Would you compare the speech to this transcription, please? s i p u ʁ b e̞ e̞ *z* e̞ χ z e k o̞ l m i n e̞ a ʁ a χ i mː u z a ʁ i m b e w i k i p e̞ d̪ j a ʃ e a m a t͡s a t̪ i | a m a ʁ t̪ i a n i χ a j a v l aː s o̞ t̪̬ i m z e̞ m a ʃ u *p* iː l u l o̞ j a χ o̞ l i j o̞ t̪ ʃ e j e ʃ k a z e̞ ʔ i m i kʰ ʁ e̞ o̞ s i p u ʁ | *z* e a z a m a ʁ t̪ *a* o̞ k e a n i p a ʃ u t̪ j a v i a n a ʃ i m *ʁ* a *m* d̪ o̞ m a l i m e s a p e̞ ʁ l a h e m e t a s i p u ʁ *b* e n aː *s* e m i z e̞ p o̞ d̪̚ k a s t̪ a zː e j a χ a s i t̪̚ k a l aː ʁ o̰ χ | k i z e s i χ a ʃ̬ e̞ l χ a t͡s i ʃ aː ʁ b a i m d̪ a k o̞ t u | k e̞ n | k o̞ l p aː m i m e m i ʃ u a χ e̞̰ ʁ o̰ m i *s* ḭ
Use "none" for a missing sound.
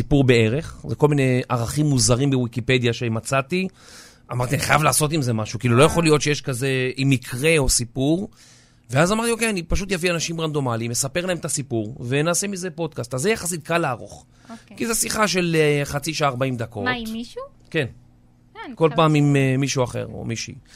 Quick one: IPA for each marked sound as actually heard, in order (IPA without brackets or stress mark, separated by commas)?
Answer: ʁ, k, v, i, ʁ, n, v, s, ʃ